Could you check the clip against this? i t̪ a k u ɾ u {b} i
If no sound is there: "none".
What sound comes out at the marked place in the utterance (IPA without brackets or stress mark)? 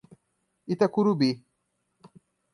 b